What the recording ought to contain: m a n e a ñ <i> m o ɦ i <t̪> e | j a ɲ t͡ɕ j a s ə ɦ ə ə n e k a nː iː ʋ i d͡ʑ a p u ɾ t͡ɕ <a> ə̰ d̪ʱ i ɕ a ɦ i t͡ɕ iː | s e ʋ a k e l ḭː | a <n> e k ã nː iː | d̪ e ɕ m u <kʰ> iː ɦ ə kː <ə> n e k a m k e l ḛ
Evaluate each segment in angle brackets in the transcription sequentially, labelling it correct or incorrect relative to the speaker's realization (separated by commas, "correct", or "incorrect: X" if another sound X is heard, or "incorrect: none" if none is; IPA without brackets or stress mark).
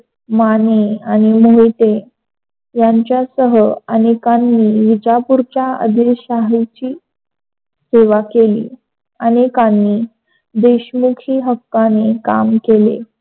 correct, correct, correct, correct, correct, incorrect: a